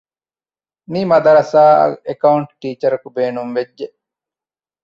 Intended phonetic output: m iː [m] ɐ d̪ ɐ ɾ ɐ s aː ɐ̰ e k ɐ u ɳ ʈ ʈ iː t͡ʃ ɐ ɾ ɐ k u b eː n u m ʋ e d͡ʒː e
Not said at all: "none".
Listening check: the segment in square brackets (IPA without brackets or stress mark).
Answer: m